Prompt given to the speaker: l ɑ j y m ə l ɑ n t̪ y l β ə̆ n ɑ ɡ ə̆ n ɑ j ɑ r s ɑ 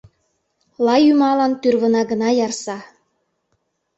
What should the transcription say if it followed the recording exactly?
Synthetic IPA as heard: l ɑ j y m ɑ l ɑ n t̪ y r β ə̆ n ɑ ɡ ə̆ n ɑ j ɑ r s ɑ